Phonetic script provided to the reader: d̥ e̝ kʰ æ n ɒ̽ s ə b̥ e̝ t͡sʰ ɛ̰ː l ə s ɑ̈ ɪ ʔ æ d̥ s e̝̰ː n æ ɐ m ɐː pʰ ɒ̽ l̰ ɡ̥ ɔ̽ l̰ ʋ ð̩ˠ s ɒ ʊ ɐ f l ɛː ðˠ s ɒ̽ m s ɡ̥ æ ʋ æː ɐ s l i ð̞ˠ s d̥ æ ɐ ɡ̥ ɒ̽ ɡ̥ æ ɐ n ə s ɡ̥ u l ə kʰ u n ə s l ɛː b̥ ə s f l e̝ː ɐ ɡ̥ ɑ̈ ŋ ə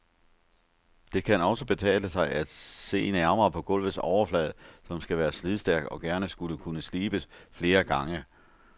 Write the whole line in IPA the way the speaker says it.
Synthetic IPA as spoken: d̥ e̝ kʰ æ n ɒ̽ s ə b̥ e̝ t͡sʰ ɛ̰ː l ə s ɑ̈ ɪ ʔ æ d̥ s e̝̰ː n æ ɐ m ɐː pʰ ɒ̽ ɡ̥ ɔ̽ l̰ ʋ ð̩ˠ s ɒ ʊ ɐ f l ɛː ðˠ s ɒ̽ m s ɡ̥ æ ʋ æː ɐ s l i ð̞ˠ s d̥ æ ɐ ɡ̥ ɒ̽ ɡ̥ æ ɐ n ə s ɡ̥ u l ə kʰ u n ə s l iː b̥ ə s f l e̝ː ɐ ɡ̥ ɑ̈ ŋ ə